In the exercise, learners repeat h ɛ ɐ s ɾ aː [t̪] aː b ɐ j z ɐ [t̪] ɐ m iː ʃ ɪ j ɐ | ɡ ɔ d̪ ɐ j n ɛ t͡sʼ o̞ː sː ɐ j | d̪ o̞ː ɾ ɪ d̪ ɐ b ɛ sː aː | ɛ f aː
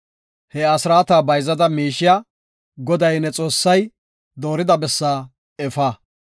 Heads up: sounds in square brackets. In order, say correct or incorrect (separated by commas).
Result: correct, incorrect